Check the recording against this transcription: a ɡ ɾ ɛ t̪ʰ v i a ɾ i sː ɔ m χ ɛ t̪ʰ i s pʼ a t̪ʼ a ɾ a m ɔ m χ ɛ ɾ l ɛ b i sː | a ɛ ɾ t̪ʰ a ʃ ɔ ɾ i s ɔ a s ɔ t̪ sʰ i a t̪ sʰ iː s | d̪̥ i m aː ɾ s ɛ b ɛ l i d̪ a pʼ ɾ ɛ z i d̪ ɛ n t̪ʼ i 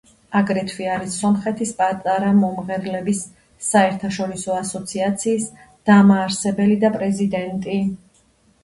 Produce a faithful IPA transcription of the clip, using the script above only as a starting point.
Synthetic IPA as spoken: a ɡ ɾ ɛ t̪ʰ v i a ɾ i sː ɔ m χ ɛ t̪ʰ i s pʼ a t̪ʼ a ɾ a m ɔ m ʁ ɛ ɾ l ɛ b i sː | a ɛ ɾ t̪ʰ a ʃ ɔ ɾ i s ɔ a s ɔ t̪ sʰ i a t̪ sʰ iː s | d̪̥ a m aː ɾ s ɛ b ɛ l i d̪ a pʼ ɾ ɛ z i d̪ ɛ n t̪ʼ i